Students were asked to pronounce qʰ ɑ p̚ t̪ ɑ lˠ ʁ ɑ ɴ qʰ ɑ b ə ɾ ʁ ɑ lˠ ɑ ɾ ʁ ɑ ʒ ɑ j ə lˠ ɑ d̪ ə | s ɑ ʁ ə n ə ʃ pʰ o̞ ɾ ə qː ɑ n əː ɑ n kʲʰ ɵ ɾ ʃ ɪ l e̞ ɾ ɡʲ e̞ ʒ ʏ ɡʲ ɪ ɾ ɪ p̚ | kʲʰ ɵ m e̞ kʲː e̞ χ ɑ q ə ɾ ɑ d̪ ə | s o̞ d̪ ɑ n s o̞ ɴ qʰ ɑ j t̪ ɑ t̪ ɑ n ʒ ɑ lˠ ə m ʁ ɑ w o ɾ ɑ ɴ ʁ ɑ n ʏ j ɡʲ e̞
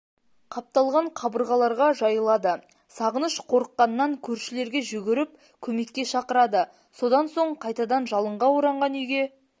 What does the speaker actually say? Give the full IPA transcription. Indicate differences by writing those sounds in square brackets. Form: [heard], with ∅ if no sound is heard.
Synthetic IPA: qʰ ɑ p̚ t̪ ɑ lˠ ʁ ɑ ɴ qʰ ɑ b ə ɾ ʁ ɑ lˠ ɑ ɾ ʁ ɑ ʒ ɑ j ə lˠ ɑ d̪ ə | s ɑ ʁ ə n ə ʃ [qʰ] o̞ ɾ ə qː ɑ n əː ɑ [ŋ] kʲʰ ɵ ɾ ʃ ɪ l e̞ ɾ ɡʲ e̞ ʒ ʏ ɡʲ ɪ ɾ ɪ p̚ | kʲʰ ɵ m e̞ kʲː e̞ [ʃ] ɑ q ə ɾ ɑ d̪ ə | s o̞ d̪ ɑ n s o̞ ɴ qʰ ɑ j t̪ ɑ [d̪] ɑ n ʒ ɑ lˠ ə [ɴ] ʁ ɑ w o ɾ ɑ ɴ ʁ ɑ n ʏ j ɡʲ e̞

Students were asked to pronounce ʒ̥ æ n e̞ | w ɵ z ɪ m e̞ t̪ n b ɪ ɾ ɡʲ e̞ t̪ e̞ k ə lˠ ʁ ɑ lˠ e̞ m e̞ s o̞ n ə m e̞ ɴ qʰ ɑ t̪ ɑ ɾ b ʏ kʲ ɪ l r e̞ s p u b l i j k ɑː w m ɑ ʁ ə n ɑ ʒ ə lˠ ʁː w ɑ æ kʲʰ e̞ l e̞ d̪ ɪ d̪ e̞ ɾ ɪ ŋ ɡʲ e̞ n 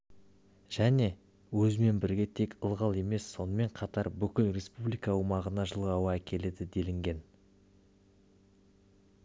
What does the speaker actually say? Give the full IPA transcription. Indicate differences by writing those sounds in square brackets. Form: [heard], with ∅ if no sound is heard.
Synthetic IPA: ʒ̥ æ n e̞ | w ɵ z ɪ m e̞ [∅] n b ɪ ɾ ɡʲ e̞ [t̪ʰ] e̞ k ə lˠ ʁ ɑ lˠ e̞ m e̞ [sː] o̞ n ə m e̞ ɴ qʰ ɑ t̪ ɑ ɾ b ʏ kʲ ɪ l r e̞ s p u b l i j k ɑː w m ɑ ʁ ə n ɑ ʒ ə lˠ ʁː w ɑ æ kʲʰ e̞ l e̞ d̪ ɪ d̪ e̞ [l] ɪ ŋ ɡʲ e̞ n

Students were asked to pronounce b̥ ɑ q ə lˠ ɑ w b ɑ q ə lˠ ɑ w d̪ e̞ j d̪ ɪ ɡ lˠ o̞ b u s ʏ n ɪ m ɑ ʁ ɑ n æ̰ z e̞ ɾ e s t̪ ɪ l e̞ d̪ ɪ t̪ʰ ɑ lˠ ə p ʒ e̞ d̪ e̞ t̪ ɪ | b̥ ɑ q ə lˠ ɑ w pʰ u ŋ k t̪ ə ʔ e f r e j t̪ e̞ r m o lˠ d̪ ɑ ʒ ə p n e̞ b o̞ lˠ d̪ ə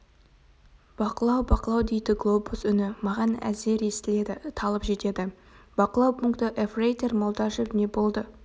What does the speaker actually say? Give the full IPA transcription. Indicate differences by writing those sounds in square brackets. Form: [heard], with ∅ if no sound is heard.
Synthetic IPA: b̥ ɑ q ə lˠ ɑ w b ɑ q ə lˠ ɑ w d̪ e̞ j d̪ ɪ ɡ lˠ o̞ b u s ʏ n ɪ m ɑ ʁ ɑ n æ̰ z e̞ ɾ e s t̪ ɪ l e̞ d̪ ɪ t̪ʰ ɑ lˠ ə p ʒ e̞ [t̪] e̞ [d̪] ɪ | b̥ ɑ q ə lˠ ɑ w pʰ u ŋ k t̪ ə ʔ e f r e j t̪ e̞ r m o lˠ d̪ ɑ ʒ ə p n e̞ b o̞ lˠ d̪ ə

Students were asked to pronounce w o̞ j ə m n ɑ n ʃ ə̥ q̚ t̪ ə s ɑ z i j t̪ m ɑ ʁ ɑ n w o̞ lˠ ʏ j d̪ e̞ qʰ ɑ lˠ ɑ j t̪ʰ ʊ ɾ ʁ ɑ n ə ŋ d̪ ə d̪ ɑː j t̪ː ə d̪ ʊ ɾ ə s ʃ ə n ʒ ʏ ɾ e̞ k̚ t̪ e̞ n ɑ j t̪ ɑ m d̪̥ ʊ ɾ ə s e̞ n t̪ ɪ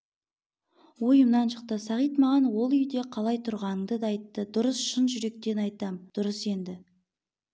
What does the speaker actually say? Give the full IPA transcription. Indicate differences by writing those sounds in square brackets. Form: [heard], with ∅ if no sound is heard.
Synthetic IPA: w o̞ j ə m n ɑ n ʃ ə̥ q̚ t̪ ə s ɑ [ʁ] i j t̪ m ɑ ʁ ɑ n w o̞ lˠ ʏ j d̪ e̞ qʰ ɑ lˠ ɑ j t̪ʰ ʊ ɾ ʁ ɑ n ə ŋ d̪ ə d̪ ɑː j t̪ː ə d̪ ʊ ɾ ə s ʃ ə n ʒ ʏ ɾ e̞ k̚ t̪ e̞ n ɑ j t̪ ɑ m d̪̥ ʊ ɾ ə s e̞ n [d̪] ɪ

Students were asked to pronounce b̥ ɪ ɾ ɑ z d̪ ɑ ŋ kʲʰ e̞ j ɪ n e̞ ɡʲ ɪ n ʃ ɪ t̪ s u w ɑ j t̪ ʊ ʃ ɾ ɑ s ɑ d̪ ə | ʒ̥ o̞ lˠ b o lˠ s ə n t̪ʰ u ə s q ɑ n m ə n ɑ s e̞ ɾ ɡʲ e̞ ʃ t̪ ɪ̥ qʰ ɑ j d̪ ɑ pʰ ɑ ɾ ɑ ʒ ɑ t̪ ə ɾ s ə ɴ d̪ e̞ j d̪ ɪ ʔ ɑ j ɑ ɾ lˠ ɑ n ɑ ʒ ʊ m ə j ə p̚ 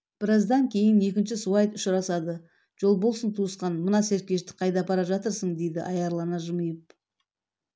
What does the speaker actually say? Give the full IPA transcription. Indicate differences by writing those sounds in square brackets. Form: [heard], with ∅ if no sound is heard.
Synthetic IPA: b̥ ɪ ɾ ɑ z d̪ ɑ ŋ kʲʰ e̞ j ɪ n e̞ [kʲ] ɪ n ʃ ɪ [∅] s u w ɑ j t̪ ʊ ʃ ɾ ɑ s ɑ d̪ ə | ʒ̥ o̞ lˠ b o lˠ s ə n t̪ʰ u ə s q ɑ n m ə n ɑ s e̞ ɾ [kʲ] e̞ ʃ t̪ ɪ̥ qʰ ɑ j d̪ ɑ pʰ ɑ ɾ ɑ ʒ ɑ t̪ ə ɾ s ə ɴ d̪ e̞ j d̪ ɪ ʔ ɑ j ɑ ɾ lˠ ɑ n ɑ ʒ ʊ m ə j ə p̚

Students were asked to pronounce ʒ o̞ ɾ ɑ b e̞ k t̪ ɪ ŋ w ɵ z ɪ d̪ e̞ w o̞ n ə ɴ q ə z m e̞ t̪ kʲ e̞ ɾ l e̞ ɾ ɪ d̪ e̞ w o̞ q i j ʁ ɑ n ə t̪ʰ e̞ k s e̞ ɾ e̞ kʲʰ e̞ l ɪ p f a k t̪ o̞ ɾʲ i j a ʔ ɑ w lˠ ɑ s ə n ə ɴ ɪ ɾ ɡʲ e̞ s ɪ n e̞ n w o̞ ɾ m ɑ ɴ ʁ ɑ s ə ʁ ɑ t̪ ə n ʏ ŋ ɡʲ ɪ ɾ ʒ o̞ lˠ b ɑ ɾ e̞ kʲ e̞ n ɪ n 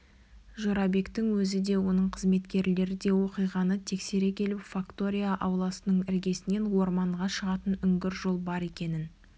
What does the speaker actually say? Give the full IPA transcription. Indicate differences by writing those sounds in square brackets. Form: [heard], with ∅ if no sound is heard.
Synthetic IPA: ʒ o̞ ɾ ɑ b e̞ k t̪ ɪ ŋ w ɵ z ɪ d̪ e̞ w o̞ n ə ɴ [qʰ] ə z m e̞ t̪ kʲ e̞ ɾ l e̞ ɾ ɪ d̪ e̞ w o̞ q i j ʁ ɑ n ə t̪ʰ e̞ k s e̞ ɾ e̞ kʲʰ e̞ l ɪ p f a k t̪ o̞ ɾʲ i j a ʔ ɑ w lˠ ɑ s ə n ə ɴ ɪ ɾ ɡʲ e̞ s ɪ n e̞ n w o̞ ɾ m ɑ ɴ ʁ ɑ [ʃ] ə ʁ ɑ t̪ ə n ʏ ŋ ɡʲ ɪ ɾ ʒ o̞ lˠ b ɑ ɾ e̞ kʲ e̞ n ɪ n

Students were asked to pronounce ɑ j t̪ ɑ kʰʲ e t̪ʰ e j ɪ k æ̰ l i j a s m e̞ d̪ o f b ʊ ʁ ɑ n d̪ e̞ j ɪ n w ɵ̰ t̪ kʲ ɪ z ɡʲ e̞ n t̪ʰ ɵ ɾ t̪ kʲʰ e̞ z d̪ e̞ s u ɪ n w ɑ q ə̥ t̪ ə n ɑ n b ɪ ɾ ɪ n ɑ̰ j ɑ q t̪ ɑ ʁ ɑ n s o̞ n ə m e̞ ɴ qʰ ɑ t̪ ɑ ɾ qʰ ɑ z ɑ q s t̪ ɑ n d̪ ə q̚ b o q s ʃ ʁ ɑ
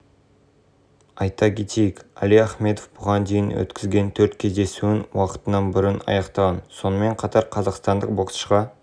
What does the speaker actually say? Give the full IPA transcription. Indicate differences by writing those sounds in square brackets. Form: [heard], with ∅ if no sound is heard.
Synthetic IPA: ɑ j t̪ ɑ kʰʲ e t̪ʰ e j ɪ k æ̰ l i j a [χ] m e̞ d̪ o f b ʊ ʁ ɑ n d̪ e̞ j ɪ n w ɵ̰ t̪ kʲ ɪ z ɡʲ e̞ n t̪ʰ ɵ ɾ t̪ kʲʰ e̞ z d̪ e̞ s u ɪ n w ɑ q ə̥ t̪ ə n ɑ n b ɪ ɾ ɪ n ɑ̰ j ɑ q t̪ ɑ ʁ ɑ n s o̞ n ə m e̞ ɴ qʰ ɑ t̪ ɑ ɾ qʰ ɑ z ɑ q s t̪ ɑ n d̪ ə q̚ b o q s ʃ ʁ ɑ

